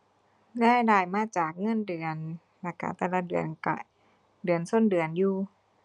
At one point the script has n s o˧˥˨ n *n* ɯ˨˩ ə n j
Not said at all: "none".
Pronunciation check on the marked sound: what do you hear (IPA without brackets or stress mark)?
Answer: d